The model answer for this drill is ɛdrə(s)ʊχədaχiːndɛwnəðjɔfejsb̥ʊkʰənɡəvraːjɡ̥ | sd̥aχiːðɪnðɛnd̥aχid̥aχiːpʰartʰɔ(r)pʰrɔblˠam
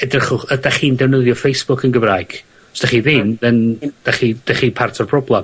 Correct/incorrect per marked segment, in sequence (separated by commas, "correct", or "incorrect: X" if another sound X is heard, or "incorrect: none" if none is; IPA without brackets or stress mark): incorrect: χ, correct